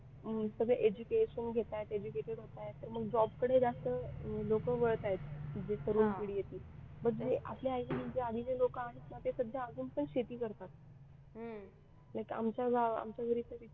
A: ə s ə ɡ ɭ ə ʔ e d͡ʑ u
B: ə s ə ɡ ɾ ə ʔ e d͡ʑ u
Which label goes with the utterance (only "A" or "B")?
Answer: A